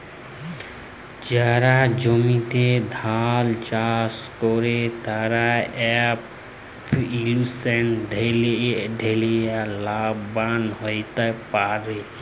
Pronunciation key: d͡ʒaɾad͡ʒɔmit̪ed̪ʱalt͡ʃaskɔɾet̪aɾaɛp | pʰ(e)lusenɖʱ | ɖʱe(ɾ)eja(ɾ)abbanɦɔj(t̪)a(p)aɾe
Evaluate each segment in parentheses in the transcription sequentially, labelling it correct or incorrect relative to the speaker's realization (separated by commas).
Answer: incorrect, incorrect, incorrect, correct, correct